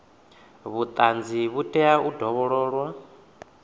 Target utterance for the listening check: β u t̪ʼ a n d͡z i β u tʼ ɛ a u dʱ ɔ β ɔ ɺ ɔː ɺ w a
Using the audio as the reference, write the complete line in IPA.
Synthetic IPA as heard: β u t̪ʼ a n d͡z i β u tʼ ɛ a u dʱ ɔ β ɔ ɺ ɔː ɺ w a